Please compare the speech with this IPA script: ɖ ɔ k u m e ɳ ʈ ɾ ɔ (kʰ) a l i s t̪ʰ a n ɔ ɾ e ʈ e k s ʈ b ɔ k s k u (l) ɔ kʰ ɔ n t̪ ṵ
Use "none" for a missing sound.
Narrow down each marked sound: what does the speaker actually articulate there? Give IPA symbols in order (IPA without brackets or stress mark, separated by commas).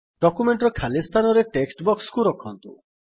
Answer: kʰ, ɾ